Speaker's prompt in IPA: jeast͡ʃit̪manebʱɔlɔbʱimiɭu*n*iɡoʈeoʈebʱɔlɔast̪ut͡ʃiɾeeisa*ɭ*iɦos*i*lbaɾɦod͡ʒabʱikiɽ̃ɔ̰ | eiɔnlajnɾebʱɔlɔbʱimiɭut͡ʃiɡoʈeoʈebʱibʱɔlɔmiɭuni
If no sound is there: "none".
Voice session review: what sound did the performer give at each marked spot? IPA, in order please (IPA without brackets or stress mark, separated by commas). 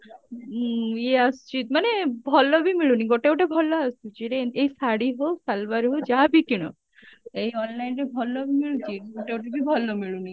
n, ɽ, a